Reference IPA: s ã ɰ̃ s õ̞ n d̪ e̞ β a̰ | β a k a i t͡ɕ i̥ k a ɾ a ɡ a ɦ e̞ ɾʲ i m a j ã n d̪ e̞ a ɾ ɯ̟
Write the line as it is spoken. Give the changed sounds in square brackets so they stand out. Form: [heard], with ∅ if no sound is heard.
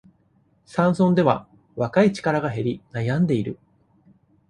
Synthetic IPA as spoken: s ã ɰ̃ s õ̞ n d̪ e̞ β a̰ | β a k a i t͡ɕ i̥ k a ɾ a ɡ a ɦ e̞ ɾʲ i [n] a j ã n d̪ e̞ [i] ɾ ɯ̟